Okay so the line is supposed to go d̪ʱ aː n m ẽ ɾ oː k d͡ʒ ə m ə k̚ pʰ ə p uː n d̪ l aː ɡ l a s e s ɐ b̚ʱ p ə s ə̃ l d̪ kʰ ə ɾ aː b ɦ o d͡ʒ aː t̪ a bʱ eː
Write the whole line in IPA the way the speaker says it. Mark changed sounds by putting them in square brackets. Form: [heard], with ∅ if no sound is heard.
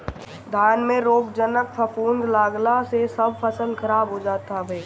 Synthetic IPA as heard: d̪ʱ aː n m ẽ ɾ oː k d͡ʒ ə [n] ə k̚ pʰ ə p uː n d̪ l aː ɡ l a s e s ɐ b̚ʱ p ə s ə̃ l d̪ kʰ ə ɾ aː b ɦ o d͡ʒ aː t̪ a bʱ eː

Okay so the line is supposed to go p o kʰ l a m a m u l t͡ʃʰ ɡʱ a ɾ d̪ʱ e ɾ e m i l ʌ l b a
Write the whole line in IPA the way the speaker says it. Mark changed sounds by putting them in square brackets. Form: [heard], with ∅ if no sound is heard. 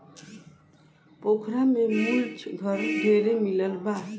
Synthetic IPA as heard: p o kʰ [ɾ] a m [e] m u l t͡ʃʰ ɡʱ [ʌ] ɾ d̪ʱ e ɾ e m i l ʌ l b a

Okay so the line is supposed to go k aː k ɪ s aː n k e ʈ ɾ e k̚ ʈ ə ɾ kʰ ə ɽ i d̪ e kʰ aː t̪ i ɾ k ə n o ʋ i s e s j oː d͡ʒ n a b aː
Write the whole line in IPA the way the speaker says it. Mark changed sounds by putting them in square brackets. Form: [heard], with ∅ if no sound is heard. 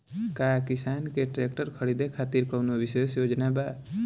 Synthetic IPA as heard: k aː k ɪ s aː n k e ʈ ɾ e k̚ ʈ ə ɾ kʰ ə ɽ i d̪ e kʰ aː t̪ i ɾ k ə n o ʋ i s e s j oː d͡ʒ n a b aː

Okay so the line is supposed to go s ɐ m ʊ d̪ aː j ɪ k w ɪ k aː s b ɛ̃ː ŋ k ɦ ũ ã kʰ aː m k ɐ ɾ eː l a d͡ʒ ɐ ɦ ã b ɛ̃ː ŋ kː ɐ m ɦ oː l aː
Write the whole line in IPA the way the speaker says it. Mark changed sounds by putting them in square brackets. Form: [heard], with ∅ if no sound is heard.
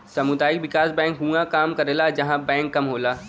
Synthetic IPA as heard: s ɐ m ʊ d̪ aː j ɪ k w ɪ k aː s b ɛ̃ː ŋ k ɦ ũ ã [k] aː m k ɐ ɾ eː l a d͡ʒ ɐ ɦ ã b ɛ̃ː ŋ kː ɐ m ɦ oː l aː

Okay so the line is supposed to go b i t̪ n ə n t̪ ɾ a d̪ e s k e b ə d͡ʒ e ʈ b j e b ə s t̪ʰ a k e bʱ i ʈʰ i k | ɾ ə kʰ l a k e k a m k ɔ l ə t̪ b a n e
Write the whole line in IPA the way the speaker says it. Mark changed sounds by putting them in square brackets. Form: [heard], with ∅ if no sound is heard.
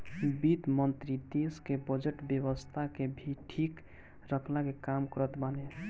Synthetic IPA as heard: b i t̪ [m] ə n t̪ ɾ [i] d̪ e s k e b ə d͡ʒ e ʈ b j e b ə s t̪ʰ a k e bʱ i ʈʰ i k | ɾ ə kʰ l a k e k a m k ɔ [ɾ] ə t̪ b a n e

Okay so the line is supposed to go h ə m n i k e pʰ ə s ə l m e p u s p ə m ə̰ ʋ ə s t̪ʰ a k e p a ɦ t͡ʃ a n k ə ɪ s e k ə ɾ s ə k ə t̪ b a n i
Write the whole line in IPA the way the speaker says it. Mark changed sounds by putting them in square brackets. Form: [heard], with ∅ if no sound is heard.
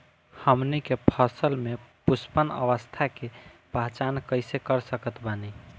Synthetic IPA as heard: h ə m n i k e pʰ ə s ə l m e p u s p ə [n] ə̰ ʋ ə s t̪ʰ a k e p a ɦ t͡ʃ a n k ə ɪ s e k ə ɾ s ə k ə t̪ b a n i

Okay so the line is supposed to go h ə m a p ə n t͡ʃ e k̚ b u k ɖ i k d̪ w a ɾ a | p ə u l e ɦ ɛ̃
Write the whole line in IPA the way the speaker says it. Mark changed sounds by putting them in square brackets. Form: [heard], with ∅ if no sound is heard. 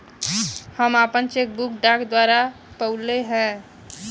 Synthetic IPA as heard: h ə m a p ə n t͡ʃ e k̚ b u k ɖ [a] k d̪ w a ɾ a | p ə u l e ɦ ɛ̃

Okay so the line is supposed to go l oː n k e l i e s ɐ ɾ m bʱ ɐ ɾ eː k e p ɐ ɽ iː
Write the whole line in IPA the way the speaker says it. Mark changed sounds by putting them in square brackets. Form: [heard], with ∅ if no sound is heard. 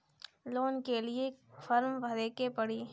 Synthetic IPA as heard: l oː n k e l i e [f] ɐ ɾ m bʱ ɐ ɾ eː k e p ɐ ɽ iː

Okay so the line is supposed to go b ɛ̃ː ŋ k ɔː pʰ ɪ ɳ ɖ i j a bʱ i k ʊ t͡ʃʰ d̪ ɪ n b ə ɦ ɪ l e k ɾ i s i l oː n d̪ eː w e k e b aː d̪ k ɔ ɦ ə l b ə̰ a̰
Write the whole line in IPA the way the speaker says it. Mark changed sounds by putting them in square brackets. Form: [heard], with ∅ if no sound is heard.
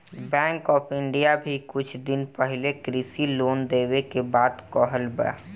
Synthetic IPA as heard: b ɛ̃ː ŋ k ɔː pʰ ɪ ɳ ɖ i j a bʱ i k ʊ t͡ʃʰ d̪ ɪ n [p] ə ɦ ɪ l e k ɾ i s i l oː n d̪ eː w e k e b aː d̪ k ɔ ɦ ə l b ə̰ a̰

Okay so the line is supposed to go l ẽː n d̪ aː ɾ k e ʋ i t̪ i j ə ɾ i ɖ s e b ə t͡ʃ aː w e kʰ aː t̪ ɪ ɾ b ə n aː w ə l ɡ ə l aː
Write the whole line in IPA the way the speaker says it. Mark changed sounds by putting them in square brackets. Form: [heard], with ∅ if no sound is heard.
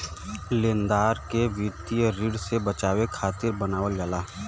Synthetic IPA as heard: l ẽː n d̪ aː ɾ k e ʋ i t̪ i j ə ɾ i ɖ s e b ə t͡ʃ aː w e kʰ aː t̪ ɪ ɾ b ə n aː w ə l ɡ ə l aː

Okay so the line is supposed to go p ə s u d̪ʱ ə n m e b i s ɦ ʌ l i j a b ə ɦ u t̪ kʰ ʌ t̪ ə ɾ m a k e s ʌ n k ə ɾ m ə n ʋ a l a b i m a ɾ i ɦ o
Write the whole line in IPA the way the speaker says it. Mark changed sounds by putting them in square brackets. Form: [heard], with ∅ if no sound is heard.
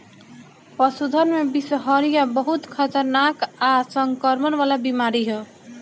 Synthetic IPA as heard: p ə s u d̪ʱ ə n m e b i s ɦ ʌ [ɾ] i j a b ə ɦ u t̪ kʰ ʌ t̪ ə ɾ [n] a k [a] s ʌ [ŋ] k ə ɾ m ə n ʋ a l a b i m a ɾ i ɦ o

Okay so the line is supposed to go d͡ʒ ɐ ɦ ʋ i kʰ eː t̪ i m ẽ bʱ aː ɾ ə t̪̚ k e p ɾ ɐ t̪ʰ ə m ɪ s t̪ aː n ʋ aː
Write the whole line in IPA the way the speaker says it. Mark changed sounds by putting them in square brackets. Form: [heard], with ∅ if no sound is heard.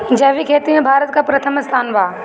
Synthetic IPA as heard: d͡ʒ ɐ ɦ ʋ i kʰ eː t̪ i m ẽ bʱ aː ɾ ə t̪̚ k [a] p ɾ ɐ t̪ʰ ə m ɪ s [t̪ʰ] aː n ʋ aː

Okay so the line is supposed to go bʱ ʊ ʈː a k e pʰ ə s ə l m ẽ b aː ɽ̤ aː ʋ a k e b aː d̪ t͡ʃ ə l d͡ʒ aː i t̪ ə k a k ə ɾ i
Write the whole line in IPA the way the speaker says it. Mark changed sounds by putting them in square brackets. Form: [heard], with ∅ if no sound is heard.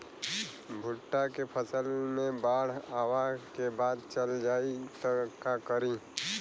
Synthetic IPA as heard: bʱ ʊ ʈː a k e pʰ ə s ə l m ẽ b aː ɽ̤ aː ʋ a k e b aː d̪ t͡ʃ ə l d͡ʒ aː i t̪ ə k a k ə ɾ i

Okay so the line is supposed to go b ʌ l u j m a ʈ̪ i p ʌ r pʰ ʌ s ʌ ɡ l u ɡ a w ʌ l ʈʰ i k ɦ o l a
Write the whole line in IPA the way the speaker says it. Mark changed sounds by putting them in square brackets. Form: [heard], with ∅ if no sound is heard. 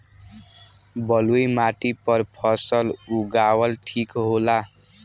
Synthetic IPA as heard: b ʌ l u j m a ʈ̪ i p ʌ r pʰ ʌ s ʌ [∅] l u ɡ a w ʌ l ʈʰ i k ɦ o l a

